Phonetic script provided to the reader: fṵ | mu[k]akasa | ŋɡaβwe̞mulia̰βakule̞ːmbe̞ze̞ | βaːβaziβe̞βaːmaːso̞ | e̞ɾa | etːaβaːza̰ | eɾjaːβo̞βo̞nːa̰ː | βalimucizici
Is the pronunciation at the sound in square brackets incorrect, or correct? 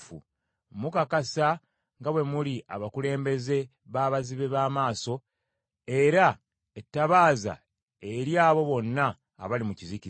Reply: correct